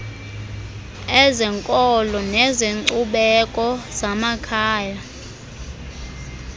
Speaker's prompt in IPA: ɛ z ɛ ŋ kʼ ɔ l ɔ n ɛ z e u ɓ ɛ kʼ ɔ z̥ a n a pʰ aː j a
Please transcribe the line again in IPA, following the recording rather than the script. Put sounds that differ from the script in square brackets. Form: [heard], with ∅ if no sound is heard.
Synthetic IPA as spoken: ɛ z ɛ ŋ kʼ ɔ l ɔ n ɛ z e u ɓ ɛ kʼ ɔ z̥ a [m] a [kʰ] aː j a